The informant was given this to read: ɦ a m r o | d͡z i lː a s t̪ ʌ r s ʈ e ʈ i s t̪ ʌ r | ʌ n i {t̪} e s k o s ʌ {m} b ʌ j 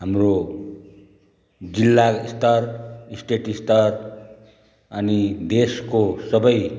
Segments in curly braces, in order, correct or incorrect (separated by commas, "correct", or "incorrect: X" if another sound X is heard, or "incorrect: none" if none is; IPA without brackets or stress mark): incorrect: d̪, incorrect: none